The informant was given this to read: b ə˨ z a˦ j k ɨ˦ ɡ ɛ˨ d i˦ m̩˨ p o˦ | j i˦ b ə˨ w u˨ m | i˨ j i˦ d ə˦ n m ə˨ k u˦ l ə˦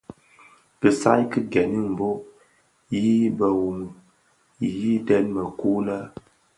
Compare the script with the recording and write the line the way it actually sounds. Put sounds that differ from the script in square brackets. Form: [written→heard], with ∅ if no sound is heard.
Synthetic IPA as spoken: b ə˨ [z→s] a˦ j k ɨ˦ ɡ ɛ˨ [d→n] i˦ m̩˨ [p→b] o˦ | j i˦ b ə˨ w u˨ m | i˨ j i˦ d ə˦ n m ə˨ k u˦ l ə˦